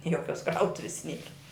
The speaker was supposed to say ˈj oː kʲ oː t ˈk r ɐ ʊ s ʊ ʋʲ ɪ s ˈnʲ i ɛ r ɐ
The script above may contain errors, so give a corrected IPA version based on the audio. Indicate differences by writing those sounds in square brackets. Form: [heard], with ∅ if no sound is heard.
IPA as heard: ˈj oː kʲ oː [s] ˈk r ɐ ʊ [t] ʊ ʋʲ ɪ s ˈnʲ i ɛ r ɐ